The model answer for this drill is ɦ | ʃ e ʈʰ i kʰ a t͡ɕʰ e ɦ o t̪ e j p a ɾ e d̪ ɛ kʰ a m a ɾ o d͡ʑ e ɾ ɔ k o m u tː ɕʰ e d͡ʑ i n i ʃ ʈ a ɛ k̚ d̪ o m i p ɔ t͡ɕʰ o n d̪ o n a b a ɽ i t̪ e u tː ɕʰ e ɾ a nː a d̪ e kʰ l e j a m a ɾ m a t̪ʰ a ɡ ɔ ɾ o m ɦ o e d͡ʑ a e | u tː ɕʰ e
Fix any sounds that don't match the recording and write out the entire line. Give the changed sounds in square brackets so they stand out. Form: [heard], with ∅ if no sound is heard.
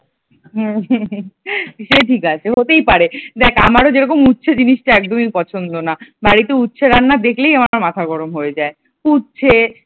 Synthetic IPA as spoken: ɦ | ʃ e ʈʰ i [k] a t͡ɕʰ e ɦ o t̪ e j p a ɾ e d̪ ɛ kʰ a m a ɾ o d͡ʑ e ɾ ɔ k o m u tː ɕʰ e d͡ʑ i n i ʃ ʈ a ɛ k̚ d̪ o m i p ɔ t͡ɕʰ o n d̪ o n a b a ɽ i t̪ e u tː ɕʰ e ɾ a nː a d̪ e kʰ l e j a m a ɾ m a t̪ʰ a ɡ ɔ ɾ o m ɦ o e d͡ʑ a e | u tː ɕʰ e

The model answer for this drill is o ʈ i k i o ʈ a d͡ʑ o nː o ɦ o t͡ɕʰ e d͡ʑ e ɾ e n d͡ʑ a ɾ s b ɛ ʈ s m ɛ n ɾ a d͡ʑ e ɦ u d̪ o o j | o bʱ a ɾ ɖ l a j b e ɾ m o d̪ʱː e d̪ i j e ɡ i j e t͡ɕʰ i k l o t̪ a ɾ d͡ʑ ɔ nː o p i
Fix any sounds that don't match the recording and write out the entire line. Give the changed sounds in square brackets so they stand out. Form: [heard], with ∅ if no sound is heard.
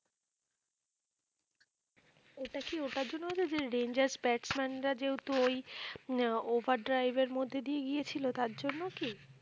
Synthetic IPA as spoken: o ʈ [a] k i o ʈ a d͡ʑ o nː o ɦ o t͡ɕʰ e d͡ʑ e ɾ e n d͡ʑ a ɾ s b ɛ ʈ s m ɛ n ɾ a d͡ʑ e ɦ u [t̪] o o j | o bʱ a ɾ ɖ [ɾ] a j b e ɾ m o d̪ʱː e d̪ i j e ɡ i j e t͡ɕʰ i [∅] l o t̪ a ɾ d͡ʑ [o] nː o [k] i

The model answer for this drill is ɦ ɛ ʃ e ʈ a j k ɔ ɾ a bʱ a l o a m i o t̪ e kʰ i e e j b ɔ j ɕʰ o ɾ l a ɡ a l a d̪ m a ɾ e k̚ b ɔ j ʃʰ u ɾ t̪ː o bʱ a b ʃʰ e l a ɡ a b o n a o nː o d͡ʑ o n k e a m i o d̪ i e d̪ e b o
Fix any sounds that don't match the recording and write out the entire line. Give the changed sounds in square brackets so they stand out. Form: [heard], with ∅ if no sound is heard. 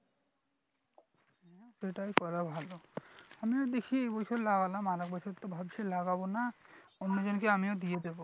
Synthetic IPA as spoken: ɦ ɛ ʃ e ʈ a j k ɔ ɾ a bʱ a l o a m i o [d̪] e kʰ i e e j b ɔ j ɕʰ o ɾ l a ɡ a l a [∅] m a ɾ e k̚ b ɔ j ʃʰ [o] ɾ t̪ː o bʱ a b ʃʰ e l a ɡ a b o n a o nː o d͡ʑ o n k e a m i o d̪ i e d̪ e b o

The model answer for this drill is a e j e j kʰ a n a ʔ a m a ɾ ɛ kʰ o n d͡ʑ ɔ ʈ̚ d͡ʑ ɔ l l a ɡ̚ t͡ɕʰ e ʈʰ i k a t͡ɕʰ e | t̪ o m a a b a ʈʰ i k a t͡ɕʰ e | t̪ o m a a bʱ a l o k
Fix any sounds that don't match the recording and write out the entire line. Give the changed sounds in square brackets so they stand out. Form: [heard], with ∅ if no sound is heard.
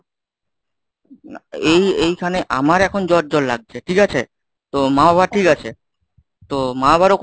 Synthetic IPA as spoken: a e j e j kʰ a n [e] ʔ a m a ɾ ɛ kʰ o n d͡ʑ ɔ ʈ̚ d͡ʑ ɔ l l a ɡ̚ t͡ɕʰ e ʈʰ i k a t͡ɕʰ e | t̪ o m a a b a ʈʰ i k a t͡ɕʰ e | t̪ o m a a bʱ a [ɾ] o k

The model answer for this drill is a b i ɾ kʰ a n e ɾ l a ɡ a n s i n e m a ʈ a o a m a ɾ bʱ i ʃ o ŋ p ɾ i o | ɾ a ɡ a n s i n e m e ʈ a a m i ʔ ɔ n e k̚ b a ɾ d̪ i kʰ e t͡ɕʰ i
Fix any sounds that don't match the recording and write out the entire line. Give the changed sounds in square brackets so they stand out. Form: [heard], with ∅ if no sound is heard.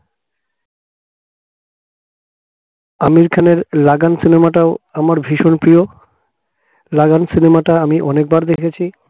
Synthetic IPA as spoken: a [m] i ɾ kʰ a n e ɾ l a ɡ a n s i n e m a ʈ a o a m a ɾ bʱ i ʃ o [n] p ɾ i o | [l] a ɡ a n s i n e m [a] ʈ a a m i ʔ ɔ n e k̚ b a ɾ d̪ [e] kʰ e t͡ɕʰ i

